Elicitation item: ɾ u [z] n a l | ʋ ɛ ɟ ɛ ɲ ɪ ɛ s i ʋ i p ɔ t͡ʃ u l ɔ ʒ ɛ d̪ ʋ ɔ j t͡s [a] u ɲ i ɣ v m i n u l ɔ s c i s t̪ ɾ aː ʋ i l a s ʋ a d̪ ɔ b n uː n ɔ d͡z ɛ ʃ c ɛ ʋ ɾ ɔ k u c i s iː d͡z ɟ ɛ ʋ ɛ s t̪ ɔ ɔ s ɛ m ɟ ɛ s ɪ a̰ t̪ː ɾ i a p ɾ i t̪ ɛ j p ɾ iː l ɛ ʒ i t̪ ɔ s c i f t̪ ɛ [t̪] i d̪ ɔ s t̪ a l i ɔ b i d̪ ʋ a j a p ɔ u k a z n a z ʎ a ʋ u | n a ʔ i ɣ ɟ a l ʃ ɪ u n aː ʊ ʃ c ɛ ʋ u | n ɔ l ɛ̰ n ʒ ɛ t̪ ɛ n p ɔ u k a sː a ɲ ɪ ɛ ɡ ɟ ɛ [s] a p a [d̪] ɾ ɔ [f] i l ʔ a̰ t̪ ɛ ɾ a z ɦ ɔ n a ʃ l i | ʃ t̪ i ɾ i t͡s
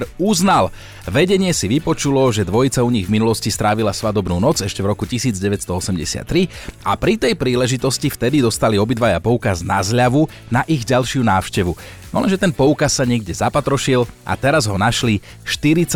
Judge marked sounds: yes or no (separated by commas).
yes, yes, no, no, no, no